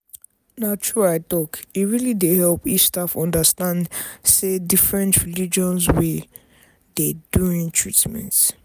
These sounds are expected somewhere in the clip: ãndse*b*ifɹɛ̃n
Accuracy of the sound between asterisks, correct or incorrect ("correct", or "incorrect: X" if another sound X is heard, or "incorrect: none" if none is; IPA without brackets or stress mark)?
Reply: incorrect: d